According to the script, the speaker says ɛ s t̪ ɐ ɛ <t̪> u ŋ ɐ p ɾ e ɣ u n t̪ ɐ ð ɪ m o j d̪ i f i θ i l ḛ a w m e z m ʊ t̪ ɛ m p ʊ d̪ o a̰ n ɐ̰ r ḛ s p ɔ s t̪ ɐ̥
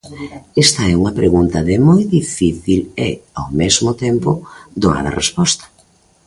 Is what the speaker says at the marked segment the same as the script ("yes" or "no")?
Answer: no